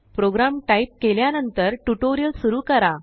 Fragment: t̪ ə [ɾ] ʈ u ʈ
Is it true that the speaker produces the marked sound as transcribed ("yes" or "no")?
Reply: yes